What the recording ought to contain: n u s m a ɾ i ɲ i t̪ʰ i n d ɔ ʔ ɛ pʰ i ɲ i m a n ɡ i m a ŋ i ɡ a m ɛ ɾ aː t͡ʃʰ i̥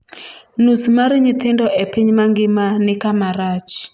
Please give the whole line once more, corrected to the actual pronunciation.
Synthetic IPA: n u s m a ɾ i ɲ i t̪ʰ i n d ɔ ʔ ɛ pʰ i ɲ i m a ŋ ɡ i m a n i k a m a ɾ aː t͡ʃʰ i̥